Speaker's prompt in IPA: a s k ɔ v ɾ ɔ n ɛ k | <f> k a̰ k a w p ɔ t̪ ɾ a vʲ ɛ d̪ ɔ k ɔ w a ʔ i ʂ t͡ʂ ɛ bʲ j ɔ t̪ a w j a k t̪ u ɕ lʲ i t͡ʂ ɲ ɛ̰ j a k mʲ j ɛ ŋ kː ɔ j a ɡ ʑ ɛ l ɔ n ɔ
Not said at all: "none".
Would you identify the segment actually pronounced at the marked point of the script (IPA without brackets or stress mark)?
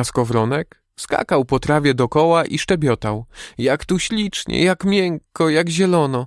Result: s